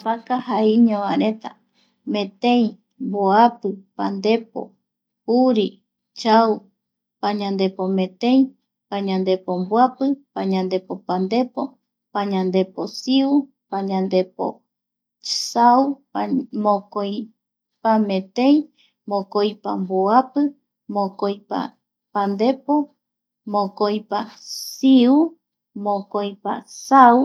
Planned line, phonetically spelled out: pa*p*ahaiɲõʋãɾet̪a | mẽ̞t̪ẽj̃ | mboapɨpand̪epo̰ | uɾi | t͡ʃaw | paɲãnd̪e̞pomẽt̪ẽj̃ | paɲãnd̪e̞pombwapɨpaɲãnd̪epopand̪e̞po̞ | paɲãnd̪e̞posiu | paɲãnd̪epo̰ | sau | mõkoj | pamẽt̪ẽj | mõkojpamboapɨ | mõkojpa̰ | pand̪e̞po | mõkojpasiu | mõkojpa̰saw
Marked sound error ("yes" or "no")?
yes